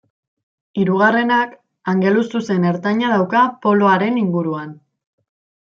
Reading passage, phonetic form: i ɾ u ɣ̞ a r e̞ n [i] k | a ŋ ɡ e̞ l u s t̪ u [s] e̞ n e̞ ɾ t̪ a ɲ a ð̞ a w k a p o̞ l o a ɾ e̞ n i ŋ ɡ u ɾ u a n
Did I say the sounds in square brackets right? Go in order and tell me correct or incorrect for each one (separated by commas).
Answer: incorrect, correct